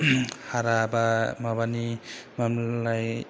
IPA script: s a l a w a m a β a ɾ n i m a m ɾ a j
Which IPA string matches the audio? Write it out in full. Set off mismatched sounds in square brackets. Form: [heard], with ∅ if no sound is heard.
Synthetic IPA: [h] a [ɾ] a [b] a m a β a [∅] n i m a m [l] a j